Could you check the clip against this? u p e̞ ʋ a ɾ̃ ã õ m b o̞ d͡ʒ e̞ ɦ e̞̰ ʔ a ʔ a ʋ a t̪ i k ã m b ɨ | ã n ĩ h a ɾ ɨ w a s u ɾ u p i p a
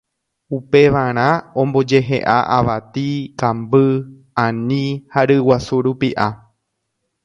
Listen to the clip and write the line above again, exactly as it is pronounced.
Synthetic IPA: u p e̞ ʋ a ɾ̃ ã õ m b o̞ d͡ʒ e̞ ɦ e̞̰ ʔ a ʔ a ʋ a t̪ i k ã m b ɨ | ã n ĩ h a ɾ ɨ w a s u ɾ u p i ʔ a